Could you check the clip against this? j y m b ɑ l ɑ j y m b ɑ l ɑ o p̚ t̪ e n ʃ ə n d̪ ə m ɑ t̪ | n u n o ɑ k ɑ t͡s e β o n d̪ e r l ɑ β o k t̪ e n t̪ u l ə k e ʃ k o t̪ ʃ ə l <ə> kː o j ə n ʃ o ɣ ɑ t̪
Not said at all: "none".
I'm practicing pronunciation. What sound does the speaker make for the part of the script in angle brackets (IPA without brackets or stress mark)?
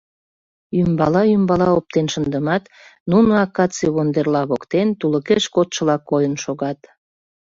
ɑ